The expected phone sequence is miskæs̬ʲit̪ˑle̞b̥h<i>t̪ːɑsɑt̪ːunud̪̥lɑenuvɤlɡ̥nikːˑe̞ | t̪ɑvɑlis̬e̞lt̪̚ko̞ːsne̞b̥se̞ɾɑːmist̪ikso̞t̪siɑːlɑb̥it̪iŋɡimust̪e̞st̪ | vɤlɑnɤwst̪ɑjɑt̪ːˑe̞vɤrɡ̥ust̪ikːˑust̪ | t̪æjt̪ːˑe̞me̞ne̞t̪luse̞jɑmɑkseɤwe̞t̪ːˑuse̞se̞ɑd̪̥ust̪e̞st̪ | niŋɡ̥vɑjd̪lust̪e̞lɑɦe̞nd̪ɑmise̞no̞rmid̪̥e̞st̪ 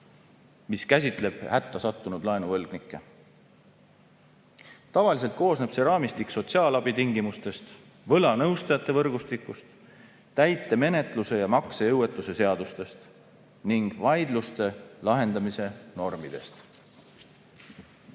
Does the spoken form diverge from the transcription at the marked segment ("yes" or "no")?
yes